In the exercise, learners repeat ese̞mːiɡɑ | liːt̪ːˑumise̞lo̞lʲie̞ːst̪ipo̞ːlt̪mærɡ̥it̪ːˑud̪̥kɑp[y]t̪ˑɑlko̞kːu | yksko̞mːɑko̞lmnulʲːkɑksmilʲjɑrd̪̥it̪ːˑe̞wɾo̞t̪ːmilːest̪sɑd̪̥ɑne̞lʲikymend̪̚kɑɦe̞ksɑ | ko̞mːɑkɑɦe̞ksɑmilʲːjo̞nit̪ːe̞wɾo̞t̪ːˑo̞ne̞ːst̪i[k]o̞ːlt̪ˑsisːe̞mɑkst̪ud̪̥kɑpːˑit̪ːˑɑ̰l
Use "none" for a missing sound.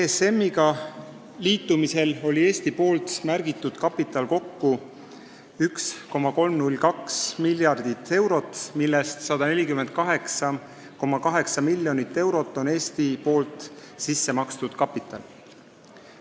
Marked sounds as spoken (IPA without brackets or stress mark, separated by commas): i, p